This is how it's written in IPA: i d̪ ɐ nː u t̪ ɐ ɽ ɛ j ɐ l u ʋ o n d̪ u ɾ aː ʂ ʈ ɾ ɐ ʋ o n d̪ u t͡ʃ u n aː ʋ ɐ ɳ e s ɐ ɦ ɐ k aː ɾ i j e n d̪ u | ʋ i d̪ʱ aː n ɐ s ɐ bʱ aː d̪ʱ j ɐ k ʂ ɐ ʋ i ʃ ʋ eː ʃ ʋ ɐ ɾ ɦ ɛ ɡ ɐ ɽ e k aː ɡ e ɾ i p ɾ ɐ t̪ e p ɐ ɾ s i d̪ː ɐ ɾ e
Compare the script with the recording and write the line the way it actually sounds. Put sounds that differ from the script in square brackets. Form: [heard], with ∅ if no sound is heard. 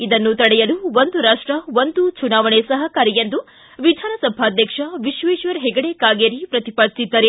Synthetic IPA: i d̪ ɐ nː u t̪ ɐ ɽ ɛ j ɐ l u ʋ o n d̪ u ɾ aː ʂ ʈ ɾ ɐ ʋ o n d̪ u t͡ʃ u n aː ʋ ɐ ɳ e s ɐ ɦ ɐ k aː ɾ i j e n d̪ u | ʋ i d̪ʱ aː n ɐ s ɐ bʱ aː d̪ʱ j ɐ k ʂ ɐ ʋ i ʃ ʋ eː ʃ ʋ ɐ ɾ ɦ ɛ ɡ ɐ ɽ e k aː ɡ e ɾ i p ɾ ɐ t̪ [i] p ɐ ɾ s i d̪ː ɐ ɾ e